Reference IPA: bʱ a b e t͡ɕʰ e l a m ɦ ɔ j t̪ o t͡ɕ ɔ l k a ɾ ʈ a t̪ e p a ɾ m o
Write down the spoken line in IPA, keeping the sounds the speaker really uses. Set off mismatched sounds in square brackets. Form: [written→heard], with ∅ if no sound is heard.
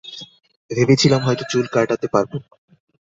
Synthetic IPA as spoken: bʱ [a→e] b e t͡ɕʰ [e→i] l a m ɦ ɔ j t̪ o t͡ɕ [ɔ→u] l k a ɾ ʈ a t̪ e p a ɾ [m→b] o